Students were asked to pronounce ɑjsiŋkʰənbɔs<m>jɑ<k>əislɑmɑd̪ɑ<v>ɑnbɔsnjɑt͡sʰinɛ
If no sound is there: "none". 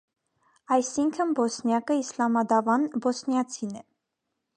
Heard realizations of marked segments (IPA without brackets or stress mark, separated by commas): n, k, v